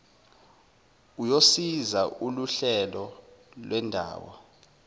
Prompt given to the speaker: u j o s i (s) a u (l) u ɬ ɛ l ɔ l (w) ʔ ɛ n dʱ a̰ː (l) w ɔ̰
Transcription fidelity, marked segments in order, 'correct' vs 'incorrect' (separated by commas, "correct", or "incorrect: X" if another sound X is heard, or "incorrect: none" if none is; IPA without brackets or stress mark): incorrect: z, correct, correct, incorrect: none